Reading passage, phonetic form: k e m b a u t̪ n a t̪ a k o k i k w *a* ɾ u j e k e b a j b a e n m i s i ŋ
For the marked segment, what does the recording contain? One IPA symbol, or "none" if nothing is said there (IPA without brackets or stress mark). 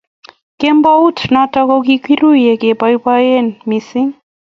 i